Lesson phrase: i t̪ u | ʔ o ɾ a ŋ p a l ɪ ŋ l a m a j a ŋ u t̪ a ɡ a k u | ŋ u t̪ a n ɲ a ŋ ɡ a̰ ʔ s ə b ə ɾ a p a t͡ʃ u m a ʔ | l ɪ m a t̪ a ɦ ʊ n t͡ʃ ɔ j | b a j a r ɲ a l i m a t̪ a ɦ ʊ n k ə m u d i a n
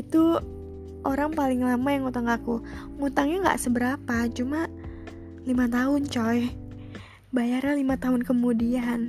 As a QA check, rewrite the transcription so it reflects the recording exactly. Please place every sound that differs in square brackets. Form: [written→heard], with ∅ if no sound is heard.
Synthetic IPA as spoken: i t̪ u | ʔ o ɾ a ŋ p a l ɪ ŋ l a m a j a ŋ u t̪ a [ɡ→ŋ] a k u | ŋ u t̪ a [n→ŋ] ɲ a ŋ ɡ a̰ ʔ s ə b ə ɾ a p a t͡ʃ u m a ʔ | l [ɪ→i] m a t̪ a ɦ ʊ n t͡ʃ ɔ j | b a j a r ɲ a l i m a t̪ a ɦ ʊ n k ə m u d i a n